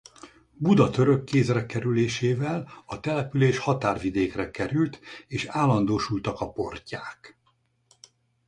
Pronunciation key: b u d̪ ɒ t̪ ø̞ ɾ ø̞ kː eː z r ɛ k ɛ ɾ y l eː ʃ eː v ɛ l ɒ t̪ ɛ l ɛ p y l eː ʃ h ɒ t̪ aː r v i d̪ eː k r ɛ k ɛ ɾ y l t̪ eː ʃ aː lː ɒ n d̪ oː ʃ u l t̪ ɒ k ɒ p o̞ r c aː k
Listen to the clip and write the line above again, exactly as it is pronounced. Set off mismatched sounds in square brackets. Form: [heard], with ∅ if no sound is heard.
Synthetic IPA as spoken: b u d̪ ɒ t̪ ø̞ ɾ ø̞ kː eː z r ɛ k ɛ ɾ y l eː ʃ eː v ɛ l ɒ t̪ ɛ l ɛ p y l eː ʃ h ɒ t̪ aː r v i d̪ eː k r ɛ k ɛ ɾ y l t̪ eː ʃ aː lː ɒ n d̪ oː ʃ u l t̪ ɒ k ɒ p o̞ r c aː k